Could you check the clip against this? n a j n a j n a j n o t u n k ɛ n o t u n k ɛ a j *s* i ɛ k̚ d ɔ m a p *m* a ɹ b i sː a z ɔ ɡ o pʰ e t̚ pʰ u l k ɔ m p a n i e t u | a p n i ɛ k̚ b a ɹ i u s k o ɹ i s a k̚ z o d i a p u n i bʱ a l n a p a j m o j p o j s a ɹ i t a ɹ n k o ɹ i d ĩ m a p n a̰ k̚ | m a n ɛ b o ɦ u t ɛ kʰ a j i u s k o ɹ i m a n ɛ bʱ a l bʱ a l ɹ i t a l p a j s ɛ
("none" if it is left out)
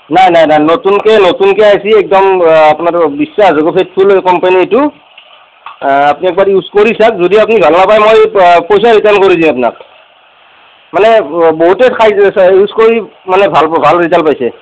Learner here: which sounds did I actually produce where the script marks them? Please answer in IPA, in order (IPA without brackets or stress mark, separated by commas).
s, n